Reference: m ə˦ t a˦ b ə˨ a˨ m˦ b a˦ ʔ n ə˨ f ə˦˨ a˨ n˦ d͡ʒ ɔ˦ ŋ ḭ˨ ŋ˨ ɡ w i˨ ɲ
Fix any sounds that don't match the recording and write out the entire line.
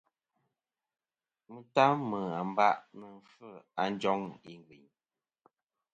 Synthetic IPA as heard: m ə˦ t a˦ m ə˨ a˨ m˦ b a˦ ʔ n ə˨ f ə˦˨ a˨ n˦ d͡ʒ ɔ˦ ŋ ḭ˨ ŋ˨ ɡ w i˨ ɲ